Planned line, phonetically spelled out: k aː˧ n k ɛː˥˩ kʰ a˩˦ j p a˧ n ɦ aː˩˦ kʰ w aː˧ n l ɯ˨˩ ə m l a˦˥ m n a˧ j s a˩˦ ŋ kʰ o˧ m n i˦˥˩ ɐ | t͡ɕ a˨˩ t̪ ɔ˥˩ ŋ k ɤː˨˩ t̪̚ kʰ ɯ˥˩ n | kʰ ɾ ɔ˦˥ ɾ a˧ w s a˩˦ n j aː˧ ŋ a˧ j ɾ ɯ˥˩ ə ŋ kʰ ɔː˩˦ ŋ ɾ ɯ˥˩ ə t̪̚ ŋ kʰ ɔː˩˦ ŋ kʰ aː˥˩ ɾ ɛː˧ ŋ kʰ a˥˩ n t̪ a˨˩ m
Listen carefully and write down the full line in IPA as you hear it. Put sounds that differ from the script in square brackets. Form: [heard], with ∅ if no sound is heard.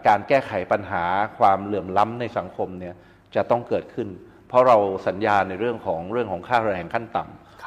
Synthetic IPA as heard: k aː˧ n k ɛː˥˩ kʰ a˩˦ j p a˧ n ɦ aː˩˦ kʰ w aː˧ [m] l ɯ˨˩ ə m l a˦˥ m n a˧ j s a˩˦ ŋ kʰ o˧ m n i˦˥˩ ɐ | t͡ɕ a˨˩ t̪ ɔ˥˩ ŋ k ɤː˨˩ t̪̚ kʰ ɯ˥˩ n | [pʰ] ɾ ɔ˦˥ ɾ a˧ w s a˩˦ n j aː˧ [n] a˧ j ɾ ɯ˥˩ ə ŋ kʰ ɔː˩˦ ŋ ɾ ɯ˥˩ ə [∅] ŋ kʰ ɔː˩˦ ŋ kʰ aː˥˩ ɾ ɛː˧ ŋ kʰ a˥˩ n t̪ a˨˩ m